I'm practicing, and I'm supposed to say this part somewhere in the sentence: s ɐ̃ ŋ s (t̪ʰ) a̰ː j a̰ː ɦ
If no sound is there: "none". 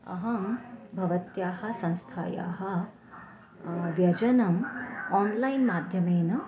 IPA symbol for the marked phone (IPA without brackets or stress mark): t̪ʰ